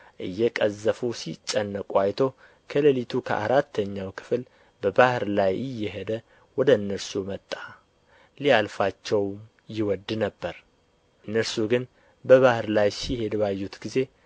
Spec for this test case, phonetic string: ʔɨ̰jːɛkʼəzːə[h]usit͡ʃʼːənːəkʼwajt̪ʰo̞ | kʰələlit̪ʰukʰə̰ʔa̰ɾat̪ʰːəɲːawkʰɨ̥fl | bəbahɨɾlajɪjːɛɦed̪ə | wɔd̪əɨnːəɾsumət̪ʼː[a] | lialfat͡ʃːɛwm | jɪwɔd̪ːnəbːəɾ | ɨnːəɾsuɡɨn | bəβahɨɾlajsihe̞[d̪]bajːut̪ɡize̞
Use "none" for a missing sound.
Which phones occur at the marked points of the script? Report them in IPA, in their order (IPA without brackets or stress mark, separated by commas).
f, a, d̪